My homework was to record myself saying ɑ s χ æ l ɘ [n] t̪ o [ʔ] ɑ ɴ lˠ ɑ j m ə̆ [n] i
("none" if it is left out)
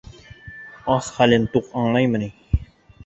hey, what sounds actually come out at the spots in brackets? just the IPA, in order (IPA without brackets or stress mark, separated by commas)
n, q, n